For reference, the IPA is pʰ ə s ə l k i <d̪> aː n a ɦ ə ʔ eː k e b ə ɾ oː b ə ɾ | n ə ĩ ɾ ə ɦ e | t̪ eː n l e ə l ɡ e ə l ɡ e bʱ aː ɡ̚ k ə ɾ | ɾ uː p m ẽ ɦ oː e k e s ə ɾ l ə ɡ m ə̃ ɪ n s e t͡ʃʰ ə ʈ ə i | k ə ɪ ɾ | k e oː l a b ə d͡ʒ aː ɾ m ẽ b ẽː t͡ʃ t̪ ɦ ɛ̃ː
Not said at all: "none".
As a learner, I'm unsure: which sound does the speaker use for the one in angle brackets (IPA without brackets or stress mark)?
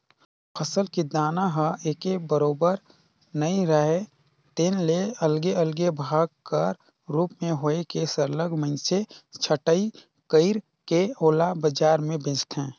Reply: d̪